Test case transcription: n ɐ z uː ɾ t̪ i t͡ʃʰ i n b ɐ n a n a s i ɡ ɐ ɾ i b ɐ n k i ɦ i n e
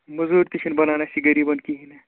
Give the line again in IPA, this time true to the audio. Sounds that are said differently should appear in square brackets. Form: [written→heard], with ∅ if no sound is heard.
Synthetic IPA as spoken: [n→m] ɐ z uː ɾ t̪ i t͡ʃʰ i n b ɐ n a n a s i ɡ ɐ ɾ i b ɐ n k i ɦ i n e